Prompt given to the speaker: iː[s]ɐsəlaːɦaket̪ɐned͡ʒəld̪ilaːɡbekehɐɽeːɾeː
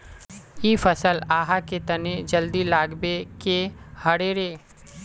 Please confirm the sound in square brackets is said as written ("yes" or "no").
no